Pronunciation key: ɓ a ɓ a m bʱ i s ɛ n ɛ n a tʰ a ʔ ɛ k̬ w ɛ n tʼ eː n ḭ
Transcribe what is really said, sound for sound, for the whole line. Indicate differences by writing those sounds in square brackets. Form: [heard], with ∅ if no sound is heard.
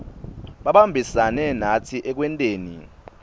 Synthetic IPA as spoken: ɓ a ɓ a m bʱ i s [a] n ɛ n a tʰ [i] ʔ ɛ k̬ w ɛ n tʼ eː n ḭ